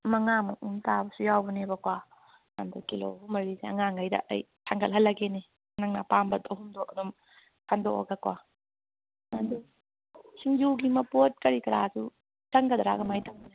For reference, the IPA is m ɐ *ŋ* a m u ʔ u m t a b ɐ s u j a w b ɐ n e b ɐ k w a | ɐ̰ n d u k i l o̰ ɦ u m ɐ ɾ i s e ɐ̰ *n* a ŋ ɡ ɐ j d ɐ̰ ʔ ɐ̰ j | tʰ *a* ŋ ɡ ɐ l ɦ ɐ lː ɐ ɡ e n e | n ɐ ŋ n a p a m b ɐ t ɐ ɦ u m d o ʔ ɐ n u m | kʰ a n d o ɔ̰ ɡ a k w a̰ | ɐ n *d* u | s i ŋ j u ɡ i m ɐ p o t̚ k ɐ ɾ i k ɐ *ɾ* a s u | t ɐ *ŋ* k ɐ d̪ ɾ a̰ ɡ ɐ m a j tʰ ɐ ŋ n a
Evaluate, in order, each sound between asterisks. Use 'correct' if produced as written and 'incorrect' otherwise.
correct, incorrect: ŋ, correct, correct, correct, correct

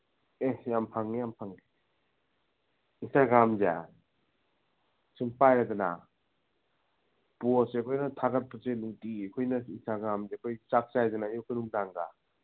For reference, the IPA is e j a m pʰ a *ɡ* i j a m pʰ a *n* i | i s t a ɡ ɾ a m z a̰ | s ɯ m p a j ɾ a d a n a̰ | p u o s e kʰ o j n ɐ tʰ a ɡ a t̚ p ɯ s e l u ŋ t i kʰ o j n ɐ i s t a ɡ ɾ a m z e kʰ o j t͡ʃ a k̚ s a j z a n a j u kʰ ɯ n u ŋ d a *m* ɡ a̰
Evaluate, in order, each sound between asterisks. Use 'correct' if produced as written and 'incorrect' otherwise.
incorrect: ŋ, incorrect: ŋ, incorrect: ŋ

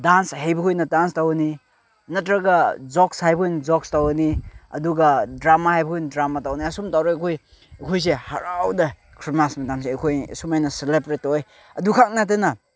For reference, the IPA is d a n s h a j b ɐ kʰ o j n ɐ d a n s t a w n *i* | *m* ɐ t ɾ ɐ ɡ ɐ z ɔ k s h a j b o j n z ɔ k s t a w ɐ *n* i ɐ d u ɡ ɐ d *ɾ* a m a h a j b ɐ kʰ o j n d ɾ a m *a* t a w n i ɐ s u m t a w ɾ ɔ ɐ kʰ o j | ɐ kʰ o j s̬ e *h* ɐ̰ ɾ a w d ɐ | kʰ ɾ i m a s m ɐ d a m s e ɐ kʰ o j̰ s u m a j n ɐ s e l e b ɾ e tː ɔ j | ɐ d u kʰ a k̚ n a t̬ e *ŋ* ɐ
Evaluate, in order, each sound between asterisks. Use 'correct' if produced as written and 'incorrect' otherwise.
correct, incorrect: n, correct, correct, correct, correct, incorrect: n

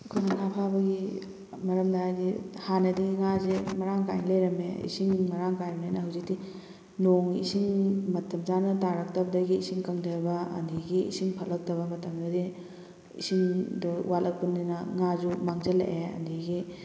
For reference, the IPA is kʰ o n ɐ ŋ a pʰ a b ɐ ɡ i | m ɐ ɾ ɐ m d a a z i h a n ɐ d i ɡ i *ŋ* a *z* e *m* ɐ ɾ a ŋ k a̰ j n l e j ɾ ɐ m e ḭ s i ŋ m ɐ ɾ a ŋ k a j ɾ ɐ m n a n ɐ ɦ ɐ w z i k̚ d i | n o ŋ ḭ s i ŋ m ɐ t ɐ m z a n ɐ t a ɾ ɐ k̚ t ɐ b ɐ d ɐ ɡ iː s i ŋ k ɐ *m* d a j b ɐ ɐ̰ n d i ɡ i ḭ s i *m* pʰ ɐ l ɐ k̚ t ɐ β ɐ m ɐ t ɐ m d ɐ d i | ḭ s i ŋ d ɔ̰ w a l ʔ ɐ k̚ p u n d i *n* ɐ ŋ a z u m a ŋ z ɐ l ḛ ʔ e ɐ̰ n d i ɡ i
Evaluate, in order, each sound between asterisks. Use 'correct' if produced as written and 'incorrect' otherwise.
correct, correct, correct, incorrect: ŋ, incorrect: ŋ, correct

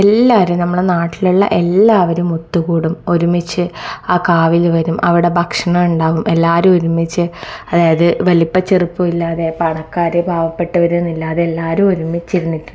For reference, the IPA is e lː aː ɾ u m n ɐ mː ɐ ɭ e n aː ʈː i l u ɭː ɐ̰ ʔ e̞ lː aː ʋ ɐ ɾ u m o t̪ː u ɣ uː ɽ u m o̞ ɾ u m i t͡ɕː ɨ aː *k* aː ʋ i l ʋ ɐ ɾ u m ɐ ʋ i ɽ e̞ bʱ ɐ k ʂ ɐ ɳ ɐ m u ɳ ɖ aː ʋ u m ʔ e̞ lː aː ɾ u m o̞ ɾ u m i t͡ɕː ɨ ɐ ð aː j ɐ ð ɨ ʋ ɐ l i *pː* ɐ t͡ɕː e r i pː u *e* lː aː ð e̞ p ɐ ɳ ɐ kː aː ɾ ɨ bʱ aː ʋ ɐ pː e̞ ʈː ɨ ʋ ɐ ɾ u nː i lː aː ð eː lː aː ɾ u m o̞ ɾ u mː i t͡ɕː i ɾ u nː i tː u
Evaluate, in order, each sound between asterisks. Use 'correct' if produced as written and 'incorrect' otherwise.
correct, correct, incorrect: i

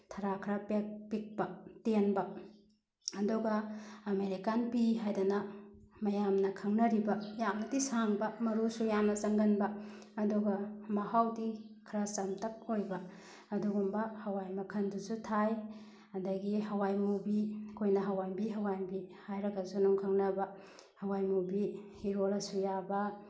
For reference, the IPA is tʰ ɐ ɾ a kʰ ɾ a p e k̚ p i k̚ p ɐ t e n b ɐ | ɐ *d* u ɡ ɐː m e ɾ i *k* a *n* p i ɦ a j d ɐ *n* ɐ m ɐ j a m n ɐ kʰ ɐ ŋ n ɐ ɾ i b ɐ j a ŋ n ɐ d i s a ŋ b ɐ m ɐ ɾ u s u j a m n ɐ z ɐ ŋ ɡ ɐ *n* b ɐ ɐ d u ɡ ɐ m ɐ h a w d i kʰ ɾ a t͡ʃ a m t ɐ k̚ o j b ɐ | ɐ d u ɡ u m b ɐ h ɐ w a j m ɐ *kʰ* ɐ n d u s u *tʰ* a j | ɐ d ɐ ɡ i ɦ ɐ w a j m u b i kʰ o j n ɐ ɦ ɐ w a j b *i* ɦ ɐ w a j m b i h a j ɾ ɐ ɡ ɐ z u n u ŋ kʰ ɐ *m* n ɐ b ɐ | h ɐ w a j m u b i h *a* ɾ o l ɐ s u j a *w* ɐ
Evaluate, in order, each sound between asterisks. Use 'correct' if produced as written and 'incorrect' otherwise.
correct, correct, correct, correct, correct, correct, correct, correct, incorrect: ŋ, incorrect: i, incorrect: b

